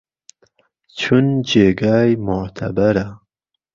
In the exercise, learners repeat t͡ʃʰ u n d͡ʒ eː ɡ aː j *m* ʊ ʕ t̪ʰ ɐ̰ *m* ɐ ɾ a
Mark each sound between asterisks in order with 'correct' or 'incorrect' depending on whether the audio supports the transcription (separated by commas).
correct, incorrect